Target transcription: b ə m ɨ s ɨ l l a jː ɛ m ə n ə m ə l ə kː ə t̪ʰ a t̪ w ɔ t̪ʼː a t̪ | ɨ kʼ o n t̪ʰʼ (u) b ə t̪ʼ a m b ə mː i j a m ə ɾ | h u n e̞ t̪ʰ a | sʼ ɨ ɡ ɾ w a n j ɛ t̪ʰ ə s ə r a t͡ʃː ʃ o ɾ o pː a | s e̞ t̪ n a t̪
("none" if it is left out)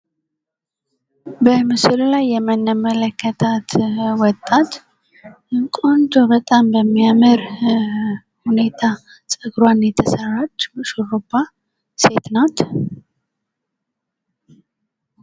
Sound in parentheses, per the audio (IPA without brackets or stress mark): o